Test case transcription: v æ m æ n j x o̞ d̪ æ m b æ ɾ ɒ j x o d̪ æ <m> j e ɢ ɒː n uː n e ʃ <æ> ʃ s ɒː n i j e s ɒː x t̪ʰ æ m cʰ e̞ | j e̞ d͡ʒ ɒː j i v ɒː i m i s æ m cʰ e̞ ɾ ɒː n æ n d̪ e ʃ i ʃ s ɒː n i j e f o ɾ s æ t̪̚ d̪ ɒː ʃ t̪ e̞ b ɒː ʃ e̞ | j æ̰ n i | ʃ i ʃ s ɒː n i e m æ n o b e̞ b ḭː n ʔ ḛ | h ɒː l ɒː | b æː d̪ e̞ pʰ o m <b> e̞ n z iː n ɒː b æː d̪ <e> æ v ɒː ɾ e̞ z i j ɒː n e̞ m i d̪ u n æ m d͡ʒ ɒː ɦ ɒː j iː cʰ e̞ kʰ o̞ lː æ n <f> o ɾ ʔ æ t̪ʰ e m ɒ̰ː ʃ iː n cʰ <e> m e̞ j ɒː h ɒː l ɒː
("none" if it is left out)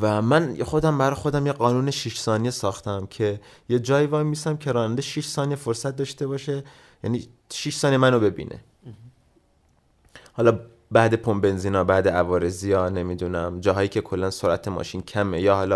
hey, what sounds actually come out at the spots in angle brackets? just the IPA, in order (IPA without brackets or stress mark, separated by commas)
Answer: m, i, b, e, s, æ